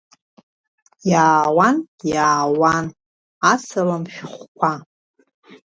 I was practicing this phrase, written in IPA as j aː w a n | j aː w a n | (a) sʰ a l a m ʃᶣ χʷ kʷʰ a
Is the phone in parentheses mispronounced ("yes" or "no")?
no